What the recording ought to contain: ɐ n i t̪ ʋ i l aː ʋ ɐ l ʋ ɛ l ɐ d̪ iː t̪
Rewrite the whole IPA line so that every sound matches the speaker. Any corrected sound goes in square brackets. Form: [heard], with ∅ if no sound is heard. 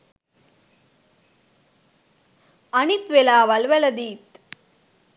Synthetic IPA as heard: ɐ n i t̪ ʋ [e] l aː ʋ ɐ l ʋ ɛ l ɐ d̪ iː t̪